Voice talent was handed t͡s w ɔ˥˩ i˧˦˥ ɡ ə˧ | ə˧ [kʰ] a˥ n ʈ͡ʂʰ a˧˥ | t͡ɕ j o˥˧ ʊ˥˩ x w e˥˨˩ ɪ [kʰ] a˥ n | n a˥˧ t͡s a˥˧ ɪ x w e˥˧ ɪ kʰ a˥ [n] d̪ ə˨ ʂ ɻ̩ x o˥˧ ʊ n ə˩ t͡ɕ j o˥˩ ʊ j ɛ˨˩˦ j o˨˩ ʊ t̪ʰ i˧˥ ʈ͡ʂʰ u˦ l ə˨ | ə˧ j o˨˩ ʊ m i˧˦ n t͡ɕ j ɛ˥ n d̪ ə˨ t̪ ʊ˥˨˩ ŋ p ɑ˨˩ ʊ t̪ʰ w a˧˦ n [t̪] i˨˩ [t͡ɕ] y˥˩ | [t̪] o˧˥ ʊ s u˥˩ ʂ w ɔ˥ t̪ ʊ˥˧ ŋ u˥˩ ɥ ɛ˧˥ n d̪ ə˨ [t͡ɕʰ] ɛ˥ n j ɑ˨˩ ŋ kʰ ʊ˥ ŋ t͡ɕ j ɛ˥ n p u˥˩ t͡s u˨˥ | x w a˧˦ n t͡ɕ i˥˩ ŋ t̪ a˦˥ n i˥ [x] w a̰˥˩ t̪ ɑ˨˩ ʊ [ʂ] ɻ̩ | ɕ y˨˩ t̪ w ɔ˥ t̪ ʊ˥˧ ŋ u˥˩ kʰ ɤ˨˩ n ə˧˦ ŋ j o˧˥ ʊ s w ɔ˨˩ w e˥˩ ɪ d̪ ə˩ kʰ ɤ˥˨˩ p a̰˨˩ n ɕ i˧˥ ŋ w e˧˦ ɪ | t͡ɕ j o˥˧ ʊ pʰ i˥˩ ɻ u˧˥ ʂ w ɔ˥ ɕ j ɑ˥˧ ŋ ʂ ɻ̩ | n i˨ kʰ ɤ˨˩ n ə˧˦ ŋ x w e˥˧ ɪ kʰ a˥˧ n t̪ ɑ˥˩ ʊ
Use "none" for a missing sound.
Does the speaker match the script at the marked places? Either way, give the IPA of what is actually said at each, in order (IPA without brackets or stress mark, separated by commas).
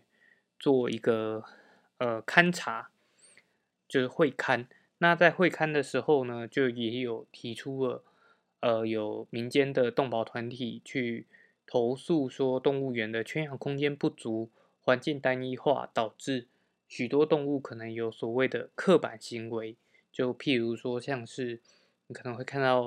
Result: kʰ, kʰ, n, t̪ʰ, t͡ɕʰ, t̪ʰ, t͡ɕʰ, x, ʈ͡ʂ